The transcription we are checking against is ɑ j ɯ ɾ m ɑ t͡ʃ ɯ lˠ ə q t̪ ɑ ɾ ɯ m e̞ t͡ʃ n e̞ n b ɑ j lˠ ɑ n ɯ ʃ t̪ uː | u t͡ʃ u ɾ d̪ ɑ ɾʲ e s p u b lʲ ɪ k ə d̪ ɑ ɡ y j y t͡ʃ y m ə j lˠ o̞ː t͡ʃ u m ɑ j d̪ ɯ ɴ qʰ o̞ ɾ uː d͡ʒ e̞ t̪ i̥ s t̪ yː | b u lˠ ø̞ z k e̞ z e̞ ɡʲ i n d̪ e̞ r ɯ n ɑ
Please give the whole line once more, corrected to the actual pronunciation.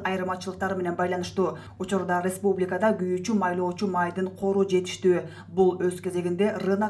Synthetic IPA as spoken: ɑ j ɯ ɾ m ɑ t͡ʃ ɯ lˠ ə q t̪ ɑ ɾ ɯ m e̞ n e̞ n b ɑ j lˠ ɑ n ɯ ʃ t̪ uː | u t͡ʃ u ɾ d̪ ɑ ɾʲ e s p u b lʲ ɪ k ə d̪ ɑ ɡ y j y t͡ʃ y m ɑ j lˠ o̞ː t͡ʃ u m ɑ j d̪ ɯ ɴ qʰ o̞ ɾ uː d͡ʒ e̞ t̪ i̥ ʃ t̪ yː | b u lˠ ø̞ z k e̞ z e̞ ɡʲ i n d̪ e̞ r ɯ n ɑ